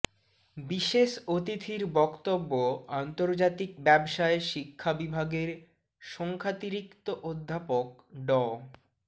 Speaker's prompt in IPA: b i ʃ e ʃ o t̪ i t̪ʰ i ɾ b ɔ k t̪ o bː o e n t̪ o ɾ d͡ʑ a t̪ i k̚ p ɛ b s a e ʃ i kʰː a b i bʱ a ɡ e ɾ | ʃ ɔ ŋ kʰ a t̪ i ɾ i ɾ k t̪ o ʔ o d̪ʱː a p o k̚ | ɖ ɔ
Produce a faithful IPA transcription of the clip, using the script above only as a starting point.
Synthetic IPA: b i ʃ e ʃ o t̪ i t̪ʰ i ɾ b ɔ k t̪ o bː o a n t̪ o ɾ d͡ʑ a t̪ i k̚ b ɛ b ʃ a e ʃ i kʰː a b i bʱ a ɡ e ɾ | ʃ ɔ ŋ kʰ a t̪ i ɾ i k t̪ o ʔ o d̪ʱː a p o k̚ | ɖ ɔ